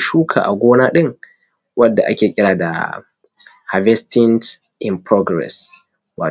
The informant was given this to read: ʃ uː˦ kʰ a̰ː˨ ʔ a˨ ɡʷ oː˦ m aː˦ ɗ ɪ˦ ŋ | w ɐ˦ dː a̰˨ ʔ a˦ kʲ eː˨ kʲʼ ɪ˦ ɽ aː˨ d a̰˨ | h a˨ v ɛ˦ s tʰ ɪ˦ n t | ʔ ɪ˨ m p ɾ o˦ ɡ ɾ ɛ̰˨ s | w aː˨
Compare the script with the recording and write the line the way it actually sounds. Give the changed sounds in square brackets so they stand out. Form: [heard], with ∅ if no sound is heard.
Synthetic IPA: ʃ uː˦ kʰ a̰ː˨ ʔ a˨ ɡʷ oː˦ [n] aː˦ ɗ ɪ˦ ŋ | w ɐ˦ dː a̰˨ ʔ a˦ kʲ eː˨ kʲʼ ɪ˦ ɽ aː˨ d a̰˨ | h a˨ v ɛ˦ s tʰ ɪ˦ n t | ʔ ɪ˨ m p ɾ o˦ ɡ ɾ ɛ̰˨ s | w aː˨